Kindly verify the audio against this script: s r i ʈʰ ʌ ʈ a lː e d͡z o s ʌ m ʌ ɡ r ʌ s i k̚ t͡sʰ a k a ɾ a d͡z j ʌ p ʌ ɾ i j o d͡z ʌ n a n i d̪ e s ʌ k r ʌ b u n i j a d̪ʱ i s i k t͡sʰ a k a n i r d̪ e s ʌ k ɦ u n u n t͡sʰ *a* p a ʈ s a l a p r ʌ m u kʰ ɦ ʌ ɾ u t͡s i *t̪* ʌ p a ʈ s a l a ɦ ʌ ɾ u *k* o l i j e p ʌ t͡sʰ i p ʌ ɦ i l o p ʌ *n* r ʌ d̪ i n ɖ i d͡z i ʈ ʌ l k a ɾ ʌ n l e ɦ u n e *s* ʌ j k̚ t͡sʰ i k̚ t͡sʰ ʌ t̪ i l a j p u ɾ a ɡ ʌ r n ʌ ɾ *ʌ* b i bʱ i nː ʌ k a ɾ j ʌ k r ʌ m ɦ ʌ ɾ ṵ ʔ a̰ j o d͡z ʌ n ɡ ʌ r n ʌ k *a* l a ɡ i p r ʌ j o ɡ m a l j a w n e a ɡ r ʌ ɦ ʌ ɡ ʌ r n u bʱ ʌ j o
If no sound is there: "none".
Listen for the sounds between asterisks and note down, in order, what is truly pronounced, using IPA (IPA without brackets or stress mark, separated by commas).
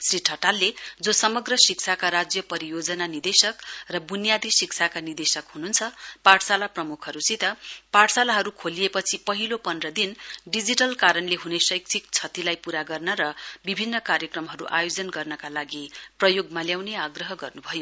ʌ, t̪, kʰ, n, s, ʌ, a